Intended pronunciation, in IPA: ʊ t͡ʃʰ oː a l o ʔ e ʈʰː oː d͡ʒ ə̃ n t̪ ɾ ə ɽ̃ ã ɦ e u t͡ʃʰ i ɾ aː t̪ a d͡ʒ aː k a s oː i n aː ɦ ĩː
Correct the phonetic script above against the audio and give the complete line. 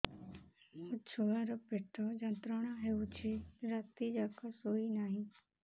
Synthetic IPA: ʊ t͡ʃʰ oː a ɾ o p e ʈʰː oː d͡ʒ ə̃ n t̪ ɾ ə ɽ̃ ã ɦ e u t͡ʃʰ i ɾ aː t̪ i d͡ʒ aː k a s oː i n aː ɦ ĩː